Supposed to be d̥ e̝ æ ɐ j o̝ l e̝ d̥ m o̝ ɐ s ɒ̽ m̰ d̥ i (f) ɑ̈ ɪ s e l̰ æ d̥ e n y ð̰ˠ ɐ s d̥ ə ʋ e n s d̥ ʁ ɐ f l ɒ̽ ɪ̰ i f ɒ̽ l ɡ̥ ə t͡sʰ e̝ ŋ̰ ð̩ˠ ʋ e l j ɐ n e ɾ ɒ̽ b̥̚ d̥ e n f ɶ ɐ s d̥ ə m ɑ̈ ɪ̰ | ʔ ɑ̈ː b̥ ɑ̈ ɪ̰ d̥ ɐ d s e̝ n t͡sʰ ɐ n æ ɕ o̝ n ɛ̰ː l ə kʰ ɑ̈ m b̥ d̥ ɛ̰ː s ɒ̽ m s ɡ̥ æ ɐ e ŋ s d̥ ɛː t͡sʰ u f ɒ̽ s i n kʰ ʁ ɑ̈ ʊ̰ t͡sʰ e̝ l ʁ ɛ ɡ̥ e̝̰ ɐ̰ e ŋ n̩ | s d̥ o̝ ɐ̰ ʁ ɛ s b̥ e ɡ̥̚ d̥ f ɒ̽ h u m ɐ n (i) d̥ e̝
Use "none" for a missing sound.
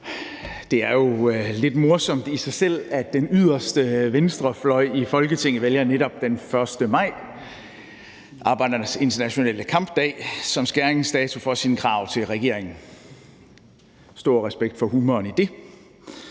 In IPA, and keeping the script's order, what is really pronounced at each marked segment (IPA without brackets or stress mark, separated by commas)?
s, i